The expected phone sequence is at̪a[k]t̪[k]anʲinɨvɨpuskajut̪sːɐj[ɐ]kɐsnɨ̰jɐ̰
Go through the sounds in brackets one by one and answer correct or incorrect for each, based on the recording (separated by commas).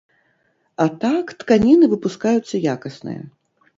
correct, correct, incorrect